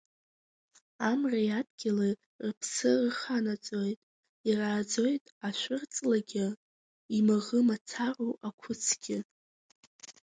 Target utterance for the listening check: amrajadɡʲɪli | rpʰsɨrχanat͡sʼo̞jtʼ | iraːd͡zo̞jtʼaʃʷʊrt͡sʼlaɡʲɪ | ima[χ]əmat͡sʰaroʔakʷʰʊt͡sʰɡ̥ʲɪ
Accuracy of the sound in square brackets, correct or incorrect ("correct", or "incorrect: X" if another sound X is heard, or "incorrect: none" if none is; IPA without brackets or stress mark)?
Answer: incorrect: ʁ